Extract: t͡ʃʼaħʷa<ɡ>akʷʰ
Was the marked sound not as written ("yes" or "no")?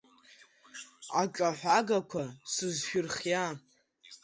no